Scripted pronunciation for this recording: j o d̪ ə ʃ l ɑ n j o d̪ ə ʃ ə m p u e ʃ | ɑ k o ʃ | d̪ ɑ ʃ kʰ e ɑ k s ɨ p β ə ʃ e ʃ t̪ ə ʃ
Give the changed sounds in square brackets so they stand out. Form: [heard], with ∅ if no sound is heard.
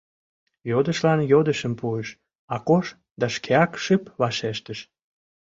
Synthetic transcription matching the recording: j o d̪ ə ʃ l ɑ n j o d̪ ə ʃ ə m p u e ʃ | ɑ k o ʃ | d̪ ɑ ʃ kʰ e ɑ k [ʃ] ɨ p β [ɑ] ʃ e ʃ t̪ ə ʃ